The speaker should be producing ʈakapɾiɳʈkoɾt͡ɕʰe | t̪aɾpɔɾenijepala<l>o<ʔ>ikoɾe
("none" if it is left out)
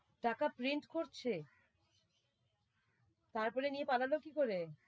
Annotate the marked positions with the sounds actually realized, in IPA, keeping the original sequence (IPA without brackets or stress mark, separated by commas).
l, k